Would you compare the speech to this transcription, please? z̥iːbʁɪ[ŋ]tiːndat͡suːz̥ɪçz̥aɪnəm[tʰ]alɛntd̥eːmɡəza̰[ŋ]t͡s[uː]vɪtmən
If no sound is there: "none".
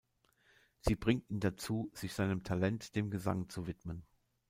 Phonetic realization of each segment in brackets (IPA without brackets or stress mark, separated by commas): ŋ, tʰ, ŋ, u